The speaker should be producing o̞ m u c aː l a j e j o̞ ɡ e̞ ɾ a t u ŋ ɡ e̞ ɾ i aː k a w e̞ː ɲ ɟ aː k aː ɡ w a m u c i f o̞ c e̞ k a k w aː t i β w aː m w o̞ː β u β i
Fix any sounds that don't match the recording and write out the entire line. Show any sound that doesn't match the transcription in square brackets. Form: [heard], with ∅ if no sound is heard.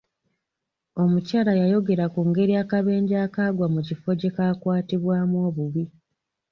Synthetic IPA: o̞ m u c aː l a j [a] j o̞ ɡ e̞ ɾ a [k] u ŋ ɡ e̞ ɾ i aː k a [β] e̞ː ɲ ɟ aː k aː ɡ w a m u c i f o̞ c e̞ k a k w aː t i β w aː m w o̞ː β u β i